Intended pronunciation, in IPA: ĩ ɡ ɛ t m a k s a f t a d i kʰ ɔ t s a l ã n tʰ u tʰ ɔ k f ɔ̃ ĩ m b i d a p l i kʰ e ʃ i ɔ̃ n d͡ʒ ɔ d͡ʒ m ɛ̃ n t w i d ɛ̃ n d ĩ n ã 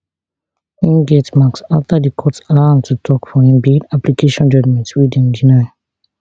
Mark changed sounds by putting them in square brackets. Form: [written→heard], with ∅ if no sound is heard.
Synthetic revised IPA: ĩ ɡ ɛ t m a k s a f t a d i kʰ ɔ t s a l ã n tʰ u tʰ ɔ k f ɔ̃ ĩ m b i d a p l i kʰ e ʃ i ɔ̃ n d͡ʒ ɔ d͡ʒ m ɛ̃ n t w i d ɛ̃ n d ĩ n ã